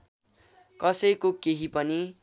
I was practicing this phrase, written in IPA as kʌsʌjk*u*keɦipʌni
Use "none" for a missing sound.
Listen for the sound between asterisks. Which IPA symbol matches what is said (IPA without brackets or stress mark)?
o